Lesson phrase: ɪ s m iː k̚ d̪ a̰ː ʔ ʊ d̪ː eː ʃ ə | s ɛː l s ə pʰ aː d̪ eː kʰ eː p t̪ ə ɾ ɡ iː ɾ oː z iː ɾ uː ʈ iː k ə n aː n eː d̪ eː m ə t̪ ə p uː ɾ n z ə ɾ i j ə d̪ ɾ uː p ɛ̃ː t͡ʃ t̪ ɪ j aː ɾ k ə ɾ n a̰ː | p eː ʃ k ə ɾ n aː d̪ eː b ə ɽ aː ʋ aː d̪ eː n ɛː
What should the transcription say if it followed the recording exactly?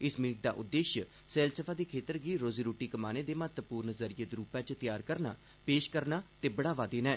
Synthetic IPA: ɪ s m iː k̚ d̪ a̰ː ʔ ʊ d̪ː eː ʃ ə | s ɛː l s ə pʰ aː d̪ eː kʰ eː t̪ ə ɾ ɡ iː ɾ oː z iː ɾ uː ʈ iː k ə m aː n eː d̪ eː m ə t̪ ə p uː ɾ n z ə ɾ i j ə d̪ ɾ uː p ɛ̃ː t͡ʃ t̪ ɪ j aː ɾ k ə ɾ n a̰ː | p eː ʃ k ə ɾ n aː t̪ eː b ə ɽ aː ʋ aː d̪ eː n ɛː